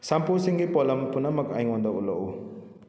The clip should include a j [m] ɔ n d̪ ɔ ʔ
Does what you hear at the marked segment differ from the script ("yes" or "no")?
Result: yes